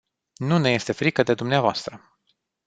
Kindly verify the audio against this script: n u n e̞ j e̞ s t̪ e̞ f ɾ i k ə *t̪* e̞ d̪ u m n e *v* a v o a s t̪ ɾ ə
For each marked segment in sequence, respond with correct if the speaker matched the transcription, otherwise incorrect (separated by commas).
incorrect, incorrect